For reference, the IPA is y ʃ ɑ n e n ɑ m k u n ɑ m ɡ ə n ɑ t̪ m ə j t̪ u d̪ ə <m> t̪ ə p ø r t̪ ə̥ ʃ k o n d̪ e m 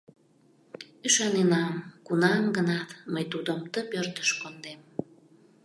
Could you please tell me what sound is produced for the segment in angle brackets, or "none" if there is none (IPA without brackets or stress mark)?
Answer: m